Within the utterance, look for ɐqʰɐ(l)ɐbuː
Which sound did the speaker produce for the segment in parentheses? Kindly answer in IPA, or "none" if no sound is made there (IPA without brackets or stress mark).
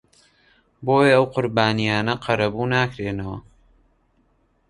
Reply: ɾ